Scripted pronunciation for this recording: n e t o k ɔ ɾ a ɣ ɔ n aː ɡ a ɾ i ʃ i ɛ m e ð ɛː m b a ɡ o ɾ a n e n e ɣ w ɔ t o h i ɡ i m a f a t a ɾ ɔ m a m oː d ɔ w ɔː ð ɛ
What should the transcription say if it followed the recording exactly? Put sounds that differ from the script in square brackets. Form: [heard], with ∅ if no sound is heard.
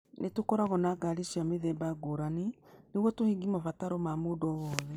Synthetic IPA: n e t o k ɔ ɾ a ɣ ɔ n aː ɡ a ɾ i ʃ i [a] m e ð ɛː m b a ɡ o ɾ a n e n e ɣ w ɔ t o h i ɡ i m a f a t a ɾ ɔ m a m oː d ɔ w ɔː ð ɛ